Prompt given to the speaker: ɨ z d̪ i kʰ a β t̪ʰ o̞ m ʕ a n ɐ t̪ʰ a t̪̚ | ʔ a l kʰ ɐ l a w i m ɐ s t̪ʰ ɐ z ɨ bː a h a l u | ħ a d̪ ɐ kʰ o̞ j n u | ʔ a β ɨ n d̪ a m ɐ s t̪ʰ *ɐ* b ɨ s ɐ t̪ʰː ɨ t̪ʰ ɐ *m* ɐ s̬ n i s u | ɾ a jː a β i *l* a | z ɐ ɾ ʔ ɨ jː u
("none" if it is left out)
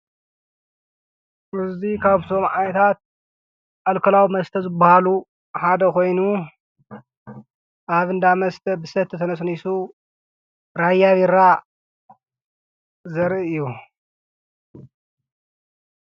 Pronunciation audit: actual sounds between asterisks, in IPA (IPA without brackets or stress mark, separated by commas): ɐ, n, ɾ